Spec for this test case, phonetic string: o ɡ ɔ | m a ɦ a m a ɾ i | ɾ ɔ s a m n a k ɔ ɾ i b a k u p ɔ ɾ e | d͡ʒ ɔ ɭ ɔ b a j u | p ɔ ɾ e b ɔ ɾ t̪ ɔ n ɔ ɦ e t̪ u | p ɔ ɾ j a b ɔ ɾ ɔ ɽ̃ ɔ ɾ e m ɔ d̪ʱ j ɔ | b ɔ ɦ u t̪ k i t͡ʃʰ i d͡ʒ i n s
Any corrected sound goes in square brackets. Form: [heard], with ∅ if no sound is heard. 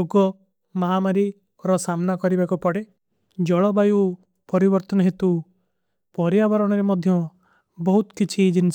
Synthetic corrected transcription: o ɡ ɔ | m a ɦ a m a ɾ i | ɾ ɔ s a m n a k ɔ ɾ i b a k u p ɔ [ɽ] e | d͡ʒ ɔ ɭ ɔ b a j u | p ɔ ɾ [i] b ɔ ɾ t̪ ɔ n ɔ ɦ e t̪ u | p ɔ ɾ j a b ɔ ɾ ɔ ɽ̃ ɔ ɾ e m ɔ d̪ʱ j ɔ | b ɔ ɦ u t̪ k i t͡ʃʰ i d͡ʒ i n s